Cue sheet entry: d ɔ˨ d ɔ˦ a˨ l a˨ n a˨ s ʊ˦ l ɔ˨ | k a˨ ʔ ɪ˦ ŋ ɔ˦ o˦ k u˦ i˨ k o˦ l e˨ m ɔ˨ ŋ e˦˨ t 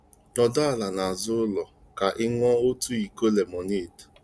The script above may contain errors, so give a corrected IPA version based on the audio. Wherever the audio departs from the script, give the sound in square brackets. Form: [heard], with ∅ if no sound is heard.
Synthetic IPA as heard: [n] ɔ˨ d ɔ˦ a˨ l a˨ n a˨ [z] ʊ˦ l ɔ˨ | k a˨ ʔ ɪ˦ ŋ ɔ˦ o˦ [t] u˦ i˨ k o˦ l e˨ m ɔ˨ [n] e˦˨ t